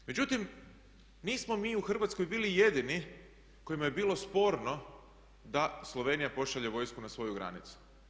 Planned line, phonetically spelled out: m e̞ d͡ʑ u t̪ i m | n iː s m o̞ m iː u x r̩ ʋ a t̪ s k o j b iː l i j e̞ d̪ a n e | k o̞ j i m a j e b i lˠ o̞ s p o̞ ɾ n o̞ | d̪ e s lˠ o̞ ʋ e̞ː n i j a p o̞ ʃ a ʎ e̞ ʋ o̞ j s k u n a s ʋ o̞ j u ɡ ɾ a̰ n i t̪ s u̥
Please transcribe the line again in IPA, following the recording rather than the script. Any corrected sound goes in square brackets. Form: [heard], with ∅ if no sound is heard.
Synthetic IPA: m e̞ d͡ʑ u t̪ i m | n iː s m o̞ m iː u x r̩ ʋ a t̪ s k o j b iː l i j e̞ d̪ [i] n [i] | k o̞ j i m a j e b [iː] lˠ o̞ s p o̞ ɾ n o̞ | d̪ [a] s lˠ o̞ ʋ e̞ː n i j a p o̞ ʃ a ʎ e̞ ʋ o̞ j s k u n a s ʋ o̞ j u ɡ ɾ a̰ n i t̪ s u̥